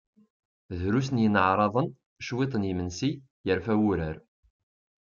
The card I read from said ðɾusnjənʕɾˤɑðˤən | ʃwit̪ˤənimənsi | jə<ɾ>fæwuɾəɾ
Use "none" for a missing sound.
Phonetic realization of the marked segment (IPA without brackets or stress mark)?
ɾ